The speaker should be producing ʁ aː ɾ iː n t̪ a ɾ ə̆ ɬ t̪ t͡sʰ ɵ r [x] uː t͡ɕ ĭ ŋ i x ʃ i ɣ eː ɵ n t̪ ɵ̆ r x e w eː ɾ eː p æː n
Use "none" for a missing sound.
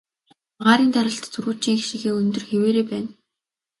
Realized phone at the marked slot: ɣ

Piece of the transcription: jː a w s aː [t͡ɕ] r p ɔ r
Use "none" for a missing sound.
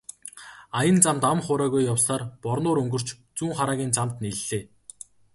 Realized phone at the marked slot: none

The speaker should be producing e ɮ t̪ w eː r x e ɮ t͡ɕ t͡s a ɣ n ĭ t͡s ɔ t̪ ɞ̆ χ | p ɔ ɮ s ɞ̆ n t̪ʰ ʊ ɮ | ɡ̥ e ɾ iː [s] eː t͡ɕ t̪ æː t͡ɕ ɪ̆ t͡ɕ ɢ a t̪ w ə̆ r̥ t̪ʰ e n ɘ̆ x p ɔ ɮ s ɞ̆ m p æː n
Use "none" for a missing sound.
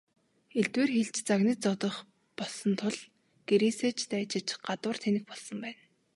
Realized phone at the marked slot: s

